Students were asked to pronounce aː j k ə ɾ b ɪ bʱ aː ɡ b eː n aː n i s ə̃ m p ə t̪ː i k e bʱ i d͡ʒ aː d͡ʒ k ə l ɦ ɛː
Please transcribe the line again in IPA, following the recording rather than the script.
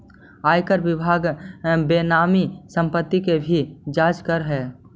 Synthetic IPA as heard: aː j k ə ɾ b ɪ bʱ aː ɡ b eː n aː m i s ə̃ m p ə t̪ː i k e bʱ i d͡ʒ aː d͡ʒ k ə ɾ ɦ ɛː